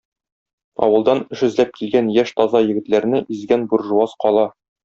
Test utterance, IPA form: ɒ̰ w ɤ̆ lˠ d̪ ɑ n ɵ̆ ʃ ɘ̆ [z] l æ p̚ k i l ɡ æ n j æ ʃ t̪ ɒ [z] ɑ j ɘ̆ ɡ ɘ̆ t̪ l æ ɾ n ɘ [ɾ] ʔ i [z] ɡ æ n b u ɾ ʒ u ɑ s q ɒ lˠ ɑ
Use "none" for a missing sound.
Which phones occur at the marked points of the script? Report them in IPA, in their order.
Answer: z, z, none, z

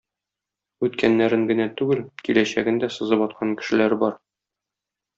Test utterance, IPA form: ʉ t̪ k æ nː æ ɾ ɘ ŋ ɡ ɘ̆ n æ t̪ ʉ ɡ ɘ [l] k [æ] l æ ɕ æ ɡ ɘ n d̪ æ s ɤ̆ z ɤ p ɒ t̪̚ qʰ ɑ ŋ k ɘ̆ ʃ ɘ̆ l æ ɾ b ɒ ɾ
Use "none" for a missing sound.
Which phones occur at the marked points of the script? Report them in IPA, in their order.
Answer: l, i

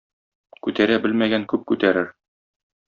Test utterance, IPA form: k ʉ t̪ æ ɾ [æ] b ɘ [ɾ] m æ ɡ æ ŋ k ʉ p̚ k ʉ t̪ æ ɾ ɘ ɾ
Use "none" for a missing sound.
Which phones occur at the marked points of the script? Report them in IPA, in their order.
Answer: æ, l

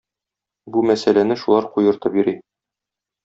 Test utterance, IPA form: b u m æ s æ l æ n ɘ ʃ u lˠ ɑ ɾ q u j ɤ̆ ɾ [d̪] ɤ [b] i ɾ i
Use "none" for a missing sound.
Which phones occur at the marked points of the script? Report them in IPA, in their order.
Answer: t̪, b

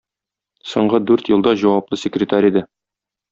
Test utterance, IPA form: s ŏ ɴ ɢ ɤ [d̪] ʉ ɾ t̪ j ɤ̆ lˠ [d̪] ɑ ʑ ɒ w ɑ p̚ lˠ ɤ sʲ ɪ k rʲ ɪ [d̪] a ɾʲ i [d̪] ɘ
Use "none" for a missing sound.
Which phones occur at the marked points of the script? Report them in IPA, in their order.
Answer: d̪, d̪, t̪, d̪

